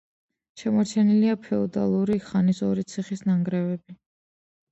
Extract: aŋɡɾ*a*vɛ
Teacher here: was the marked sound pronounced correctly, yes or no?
no